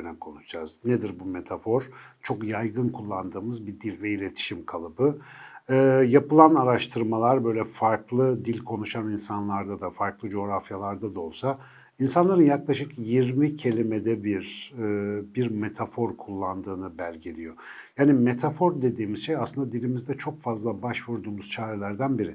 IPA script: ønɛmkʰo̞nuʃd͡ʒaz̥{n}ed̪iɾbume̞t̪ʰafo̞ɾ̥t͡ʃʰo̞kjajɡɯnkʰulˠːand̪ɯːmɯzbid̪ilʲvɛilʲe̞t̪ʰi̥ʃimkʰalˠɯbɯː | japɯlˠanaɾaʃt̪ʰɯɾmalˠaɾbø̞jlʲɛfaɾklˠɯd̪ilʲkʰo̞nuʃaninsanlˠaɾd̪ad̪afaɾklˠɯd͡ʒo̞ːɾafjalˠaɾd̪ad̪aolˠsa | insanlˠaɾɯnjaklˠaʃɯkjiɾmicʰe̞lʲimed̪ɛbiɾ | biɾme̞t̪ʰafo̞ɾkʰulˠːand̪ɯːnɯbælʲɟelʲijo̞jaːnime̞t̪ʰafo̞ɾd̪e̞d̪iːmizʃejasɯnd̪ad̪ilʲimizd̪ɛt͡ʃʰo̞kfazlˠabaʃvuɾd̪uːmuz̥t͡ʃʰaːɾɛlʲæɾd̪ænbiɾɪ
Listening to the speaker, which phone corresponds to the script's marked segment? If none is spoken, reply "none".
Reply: n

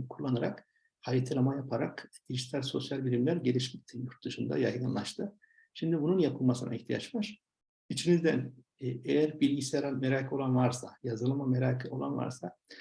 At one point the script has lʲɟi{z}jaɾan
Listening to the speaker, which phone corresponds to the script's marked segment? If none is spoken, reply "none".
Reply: s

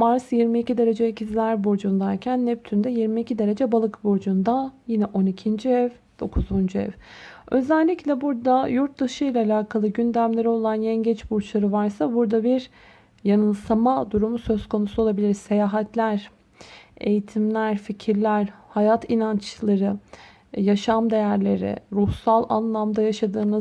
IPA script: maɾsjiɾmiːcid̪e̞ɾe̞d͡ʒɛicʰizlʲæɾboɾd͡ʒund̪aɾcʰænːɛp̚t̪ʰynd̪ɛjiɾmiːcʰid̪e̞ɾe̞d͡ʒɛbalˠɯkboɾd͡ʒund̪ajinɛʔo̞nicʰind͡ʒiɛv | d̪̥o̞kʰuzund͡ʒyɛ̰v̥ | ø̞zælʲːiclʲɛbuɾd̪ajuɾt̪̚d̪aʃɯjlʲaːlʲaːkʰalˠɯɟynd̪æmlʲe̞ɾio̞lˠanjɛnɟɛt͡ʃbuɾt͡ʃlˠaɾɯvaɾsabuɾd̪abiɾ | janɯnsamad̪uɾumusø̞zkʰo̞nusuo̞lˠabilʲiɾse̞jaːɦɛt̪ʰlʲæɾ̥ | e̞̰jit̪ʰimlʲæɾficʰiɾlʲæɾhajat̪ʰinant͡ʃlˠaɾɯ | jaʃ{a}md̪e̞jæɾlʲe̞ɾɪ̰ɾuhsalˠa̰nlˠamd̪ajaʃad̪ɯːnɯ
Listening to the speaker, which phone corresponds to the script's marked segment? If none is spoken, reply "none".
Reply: a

